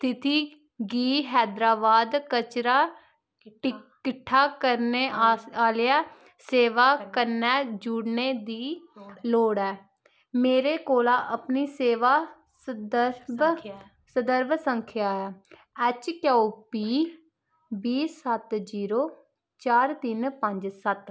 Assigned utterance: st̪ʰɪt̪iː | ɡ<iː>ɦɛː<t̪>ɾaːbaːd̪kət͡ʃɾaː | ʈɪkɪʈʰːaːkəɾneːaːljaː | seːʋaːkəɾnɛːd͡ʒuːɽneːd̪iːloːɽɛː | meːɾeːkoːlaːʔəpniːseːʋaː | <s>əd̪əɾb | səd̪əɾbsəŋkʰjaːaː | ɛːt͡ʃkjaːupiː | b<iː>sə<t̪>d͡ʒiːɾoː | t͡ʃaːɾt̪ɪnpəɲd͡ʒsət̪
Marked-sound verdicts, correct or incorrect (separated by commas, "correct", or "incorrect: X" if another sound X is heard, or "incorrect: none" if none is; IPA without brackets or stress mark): correct, incorrect: d̪, correct, correct, correct